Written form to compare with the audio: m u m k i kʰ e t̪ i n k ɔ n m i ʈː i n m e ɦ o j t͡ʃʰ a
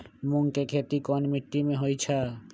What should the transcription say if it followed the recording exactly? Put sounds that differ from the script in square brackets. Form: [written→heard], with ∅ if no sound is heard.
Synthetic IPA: m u [m→ŋ] k [i→e] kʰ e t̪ i [n→∅] k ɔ n m i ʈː i [n→∅] m e ɦ o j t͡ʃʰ a